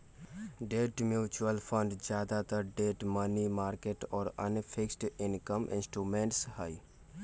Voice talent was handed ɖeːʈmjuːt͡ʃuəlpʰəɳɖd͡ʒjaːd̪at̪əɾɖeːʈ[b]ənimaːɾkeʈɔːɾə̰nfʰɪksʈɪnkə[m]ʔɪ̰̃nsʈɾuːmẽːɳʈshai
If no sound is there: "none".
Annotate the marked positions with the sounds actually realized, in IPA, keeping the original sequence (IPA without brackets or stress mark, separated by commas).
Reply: m, m